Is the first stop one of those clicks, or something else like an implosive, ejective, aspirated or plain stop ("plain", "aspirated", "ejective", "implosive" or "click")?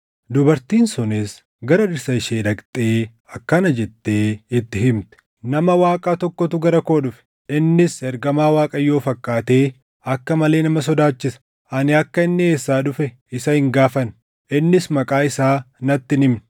plain